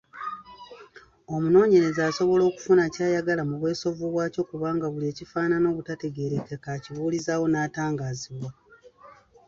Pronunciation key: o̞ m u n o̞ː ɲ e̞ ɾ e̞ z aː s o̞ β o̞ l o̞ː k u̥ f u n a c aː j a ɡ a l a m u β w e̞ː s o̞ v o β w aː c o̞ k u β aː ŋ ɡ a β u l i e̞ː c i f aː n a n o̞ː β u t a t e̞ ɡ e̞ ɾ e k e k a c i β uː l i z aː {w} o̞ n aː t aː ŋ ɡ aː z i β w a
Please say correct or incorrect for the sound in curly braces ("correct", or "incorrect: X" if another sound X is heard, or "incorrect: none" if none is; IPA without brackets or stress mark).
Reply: correct